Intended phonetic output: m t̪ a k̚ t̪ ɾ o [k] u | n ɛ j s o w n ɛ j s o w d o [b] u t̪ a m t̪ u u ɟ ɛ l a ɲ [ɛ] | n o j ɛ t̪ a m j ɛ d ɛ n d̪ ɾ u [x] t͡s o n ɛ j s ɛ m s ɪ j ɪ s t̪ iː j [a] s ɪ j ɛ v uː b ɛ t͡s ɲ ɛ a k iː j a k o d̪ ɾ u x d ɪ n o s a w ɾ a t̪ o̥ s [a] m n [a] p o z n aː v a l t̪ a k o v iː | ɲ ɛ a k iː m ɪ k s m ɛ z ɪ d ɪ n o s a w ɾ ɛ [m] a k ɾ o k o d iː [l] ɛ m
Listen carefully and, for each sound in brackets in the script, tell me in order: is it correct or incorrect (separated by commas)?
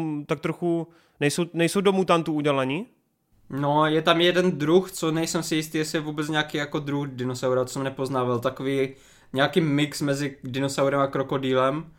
incorrect, incorrect, incorrect, correct, incorrect, incorrect, incorrect, correct, correct